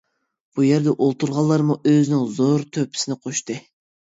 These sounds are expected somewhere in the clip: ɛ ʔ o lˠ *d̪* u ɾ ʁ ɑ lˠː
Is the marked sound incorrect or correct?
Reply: incorrect